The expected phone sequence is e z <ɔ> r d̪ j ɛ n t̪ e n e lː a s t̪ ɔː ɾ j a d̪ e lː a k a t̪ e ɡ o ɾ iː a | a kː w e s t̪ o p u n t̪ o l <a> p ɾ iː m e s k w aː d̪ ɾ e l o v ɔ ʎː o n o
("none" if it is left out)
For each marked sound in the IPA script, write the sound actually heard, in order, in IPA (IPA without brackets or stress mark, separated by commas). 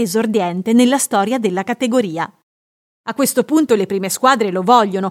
o, e